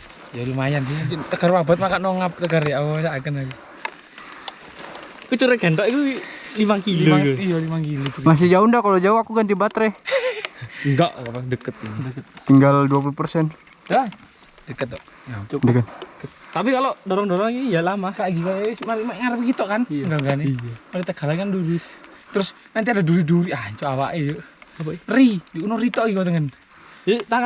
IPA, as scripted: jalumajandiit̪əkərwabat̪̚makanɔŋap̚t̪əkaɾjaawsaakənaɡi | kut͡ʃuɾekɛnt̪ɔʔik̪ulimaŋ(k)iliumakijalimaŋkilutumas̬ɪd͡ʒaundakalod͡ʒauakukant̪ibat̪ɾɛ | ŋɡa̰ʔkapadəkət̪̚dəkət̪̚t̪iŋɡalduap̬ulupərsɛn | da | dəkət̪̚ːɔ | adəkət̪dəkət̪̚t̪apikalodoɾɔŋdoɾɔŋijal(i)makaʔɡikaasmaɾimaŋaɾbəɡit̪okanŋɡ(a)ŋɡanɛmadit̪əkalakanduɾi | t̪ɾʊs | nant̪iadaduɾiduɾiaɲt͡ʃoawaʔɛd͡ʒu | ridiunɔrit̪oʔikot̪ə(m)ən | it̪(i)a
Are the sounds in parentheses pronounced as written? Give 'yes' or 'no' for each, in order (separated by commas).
yes, no, yes, no, no